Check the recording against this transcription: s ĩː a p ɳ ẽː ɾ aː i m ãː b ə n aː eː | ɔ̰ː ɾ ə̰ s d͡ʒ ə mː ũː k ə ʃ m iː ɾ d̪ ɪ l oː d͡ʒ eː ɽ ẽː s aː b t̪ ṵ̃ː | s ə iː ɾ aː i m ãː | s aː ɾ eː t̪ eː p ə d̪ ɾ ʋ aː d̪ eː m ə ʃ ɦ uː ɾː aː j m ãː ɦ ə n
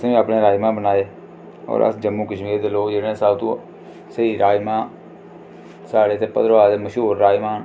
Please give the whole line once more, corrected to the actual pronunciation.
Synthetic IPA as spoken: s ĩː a p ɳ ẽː ɾ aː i m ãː b ə n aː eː | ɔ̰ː ɾ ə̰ s d͡ʒ ə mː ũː k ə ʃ m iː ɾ d̪ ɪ l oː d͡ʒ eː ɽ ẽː s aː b t̪ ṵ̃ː | s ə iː ɾ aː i m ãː | s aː ɽ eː t̪ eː p ə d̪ ɾ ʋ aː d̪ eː m ə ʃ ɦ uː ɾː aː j m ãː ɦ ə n

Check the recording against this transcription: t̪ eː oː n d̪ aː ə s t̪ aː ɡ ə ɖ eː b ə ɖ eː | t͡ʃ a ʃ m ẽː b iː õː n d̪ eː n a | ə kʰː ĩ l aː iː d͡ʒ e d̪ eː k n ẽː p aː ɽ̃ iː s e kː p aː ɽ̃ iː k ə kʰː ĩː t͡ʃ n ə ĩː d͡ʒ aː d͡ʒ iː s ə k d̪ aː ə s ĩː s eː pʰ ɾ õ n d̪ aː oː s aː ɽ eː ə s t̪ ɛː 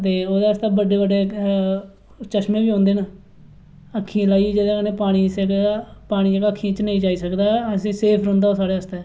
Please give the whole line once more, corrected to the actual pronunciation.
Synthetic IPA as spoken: t̪ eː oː d̪ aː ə s t̪ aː b ə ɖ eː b ə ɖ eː | t͡ʃ ə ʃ m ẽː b iː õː n d̪ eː n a | ə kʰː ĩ l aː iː d͡ʒ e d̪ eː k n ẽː p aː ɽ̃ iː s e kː p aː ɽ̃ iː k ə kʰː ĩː t͡ʃ n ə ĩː d͡ʒ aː iː s ə k d̪ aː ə s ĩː s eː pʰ ɾ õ n d̪ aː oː s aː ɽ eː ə s t̪ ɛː

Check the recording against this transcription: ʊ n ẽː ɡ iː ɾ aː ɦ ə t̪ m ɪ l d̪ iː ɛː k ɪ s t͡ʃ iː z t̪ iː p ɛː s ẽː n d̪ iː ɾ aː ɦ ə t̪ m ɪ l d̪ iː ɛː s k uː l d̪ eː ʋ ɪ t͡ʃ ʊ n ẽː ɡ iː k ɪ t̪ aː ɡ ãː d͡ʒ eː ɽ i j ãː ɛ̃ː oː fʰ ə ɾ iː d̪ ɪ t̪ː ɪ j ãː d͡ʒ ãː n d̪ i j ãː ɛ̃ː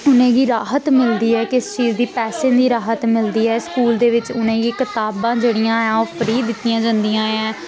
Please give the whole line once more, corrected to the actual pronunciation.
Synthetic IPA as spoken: ʊ n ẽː ɡ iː ɾ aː ɦ ə t̪ m ɪ l d̪ iː ɛː k ɪ s t͡ʃ iː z d̪ iː p ɛː s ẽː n d̪ iː ɾ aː ɦ ə t̪ m ɪ l d̪ iː ɛː s k uː l d̪ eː ʋ ɪ t͡ʃ ʊ n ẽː ɡ iː k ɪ t̪ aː b ãː d͡ʒ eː ɽ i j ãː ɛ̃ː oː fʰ ə ɾ iː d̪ ɪ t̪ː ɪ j ãː d͡ʒ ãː n d̪ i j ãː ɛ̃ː

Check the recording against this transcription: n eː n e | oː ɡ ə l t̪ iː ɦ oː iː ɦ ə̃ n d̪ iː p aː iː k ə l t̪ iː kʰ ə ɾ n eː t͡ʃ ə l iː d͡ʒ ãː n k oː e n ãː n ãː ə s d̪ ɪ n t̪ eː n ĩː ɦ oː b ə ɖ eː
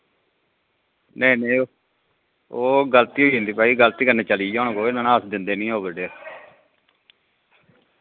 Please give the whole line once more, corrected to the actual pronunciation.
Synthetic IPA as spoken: n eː n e | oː ɡ ə l t̪ iː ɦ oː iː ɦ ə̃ n d̪ iː p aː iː ɡ ə l t̪ iː k ə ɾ n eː t͡ʃ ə l iː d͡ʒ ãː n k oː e n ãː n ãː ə s d̪ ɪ n d̪ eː n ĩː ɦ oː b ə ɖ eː

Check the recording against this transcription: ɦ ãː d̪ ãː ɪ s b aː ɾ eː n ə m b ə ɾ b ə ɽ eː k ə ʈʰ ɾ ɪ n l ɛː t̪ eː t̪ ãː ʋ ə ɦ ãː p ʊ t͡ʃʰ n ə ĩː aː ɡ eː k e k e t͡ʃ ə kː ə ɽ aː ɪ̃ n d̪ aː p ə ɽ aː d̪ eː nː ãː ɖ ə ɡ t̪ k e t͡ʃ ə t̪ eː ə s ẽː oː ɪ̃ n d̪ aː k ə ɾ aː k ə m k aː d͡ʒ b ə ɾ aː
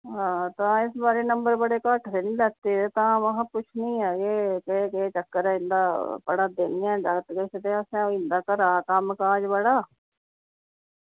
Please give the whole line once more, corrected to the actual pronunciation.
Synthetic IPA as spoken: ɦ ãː t̪ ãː ɪ s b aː ɾ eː n ə m b ə ɾ b ə ɽ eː k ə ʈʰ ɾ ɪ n l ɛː t̪ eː t̪ ãː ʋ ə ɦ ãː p ʊ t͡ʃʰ n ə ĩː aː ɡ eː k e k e t͡ʃ ə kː ə ɾ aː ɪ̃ n d̪ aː p ə ɽ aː d̪ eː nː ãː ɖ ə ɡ t̪ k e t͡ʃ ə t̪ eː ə s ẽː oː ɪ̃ n d̪ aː k ə ɾ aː k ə m k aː d͡ʒ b ə ɽ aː

